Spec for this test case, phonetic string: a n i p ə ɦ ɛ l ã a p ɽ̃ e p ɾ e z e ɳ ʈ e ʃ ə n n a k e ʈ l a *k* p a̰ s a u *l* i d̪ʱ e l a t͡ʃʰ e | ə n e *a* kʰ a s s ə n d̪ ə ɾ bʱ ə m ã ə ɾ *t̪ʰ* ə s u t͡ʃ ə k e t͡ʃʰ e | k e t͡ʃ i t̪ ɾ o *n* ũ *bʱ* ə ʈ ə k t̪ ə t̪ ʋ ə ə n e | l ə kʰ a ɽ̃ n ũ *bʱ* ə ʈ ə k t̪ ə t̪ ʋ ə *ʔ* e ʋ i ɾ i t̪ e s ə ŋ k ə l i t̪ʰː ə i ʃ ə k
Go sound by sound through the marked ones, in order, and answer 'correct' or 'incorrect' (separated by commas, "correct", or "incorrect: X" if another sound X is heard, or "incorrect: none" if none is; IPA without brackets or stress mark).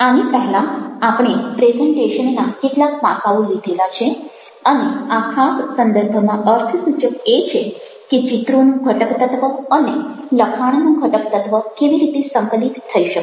correct, correct, correct, correct, correct, incorrect: ɡʱ, incorrect: ɡʱ, incorrect: k